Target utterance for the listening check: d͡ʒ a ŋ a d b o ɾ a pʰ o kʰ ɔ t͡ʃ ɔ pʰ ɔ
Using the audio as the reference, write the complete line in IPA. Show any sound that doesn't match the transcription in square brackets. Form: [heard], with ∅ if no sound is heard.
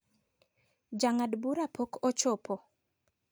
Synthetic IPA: d͡ʒ a ŋ a d b [u] ɾ a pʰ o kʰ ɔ t͡ʃ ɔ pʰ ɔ